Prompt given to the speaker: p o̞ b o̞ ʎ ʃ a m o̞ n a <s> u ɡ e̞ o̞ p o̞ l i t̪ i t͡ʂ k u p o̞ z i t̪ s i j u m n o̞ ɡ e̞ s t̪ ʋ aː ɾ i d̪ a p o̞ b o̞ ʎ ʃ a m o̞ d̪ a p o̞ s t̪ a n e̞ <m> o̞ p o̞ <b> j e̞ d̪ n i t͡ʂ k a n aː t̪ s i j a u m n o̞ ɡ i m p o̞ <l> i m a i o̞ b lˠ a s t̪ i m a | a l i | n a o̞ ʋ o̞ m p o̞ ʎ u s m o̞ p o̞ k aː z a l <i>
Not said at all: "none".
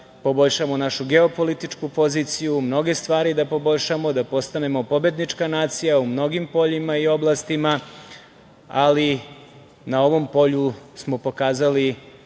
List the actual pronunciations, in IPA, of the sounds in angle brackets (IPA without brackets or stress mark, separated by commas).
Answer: ʃ, m, b, ʎ, i